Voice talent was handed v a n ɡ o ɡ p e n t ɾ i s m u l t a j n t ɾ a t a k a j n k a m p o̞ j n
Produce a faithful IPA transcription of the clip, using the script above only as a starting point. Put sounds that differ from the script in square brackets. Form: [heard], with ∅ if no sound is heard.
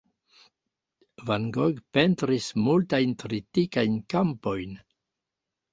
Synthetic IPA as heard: v a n ɡ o ɡ p e n t ɾ i s m u l t a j n t ɾ [i] t [i] k a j n k a m p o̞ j n